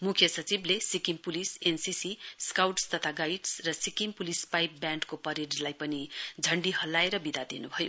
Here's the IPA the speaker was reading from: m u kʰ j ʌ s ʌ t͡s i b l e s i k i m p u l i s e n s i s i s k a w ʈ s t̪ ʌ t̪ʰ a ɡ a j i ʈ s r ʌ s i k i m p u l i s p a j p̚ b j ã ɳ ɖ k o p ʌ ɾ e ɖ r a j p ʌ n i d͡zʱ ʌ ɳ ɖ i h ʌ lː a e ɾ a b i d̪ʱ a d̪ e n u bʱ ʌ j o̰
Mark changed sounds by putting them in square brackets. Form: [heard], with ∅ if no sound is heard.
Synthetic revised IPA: m u kʰ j ʌ s ʌ t͡s i b l e s i k i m p u l i s e n s i s i s k a w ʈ s t̪ ʌ t̪ʰ a ɡ a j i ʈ s r ʌ s i k i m p u l i s p a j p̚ b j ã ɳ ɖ k o p ʌ ɾ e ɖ [l] a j p ʌ n i d͡zʱ ʌ ɳ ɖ i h ʌ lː a e ɾ [ʌ] b i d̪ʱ a d̪ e n u bʱ ʌ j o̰